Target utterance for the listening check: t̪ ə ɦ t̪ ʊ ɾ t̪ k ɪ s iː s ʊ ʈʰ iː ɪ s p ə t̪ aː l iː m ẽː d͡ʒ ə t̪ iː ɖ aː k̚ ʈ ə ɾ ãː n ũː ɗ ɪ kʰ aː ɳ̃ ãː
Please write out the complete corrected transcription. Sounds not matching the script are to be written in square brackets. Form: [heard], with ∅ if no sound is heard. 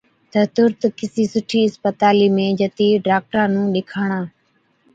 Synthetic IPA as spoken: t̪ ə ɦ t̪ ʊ ɾ t̪ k ɪ s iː s ʊ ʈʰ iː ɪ s p ə t̪ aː l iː m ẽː d͡ʒ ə t̪ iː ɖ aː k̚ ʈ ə ɾ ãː n ũː ɗ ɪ kʰ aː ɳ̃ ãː

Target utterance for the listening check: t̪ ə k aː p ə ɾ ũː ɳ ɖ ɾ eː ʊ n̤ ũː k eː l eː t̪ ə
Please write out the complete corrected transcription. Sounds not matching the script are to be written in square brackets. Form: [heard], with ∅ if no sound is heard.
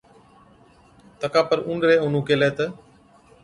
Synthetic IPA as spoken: t̪ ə k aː p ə ɾ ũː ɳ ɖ ɾ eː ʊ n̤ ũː k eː l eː t̪ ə

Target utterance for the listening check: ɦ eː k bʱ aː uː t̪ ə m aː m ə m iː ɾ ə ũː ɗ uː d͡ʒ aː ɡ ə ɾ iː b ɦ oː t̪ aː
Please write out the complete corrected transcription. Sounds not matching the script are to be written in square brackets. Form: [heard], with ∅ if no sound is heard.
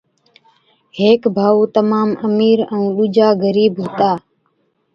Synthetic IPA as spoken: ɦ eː k bʱ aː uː t̪ ə m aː m ə m iː ɾ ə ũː ɗ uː d͡ʒ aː ɡ ə ɾ iː b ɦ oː t̪ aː

